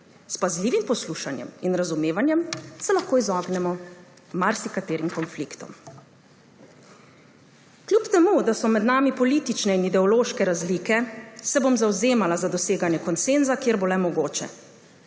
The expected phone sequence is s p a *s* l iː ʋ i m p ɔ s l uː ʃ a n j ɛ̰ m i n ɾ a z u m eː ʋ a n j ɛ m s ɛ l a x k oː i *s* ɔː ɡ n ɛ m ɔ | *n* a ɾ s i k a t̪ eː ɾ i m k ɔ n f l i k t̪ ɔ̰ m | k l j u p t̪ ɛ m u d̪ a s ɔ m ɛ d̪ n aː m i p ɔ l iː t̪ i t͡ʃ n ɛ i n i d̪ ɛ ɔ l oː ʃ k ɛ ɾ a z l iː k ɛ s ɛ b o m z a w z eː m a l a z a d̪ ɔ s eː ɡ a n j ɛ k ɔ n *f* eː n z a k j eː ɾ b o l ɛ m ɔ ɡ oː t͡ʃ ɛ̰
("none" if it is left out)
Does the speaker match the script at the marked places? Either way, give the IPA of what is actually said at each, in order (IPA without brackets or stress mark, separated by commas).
z, z, m, s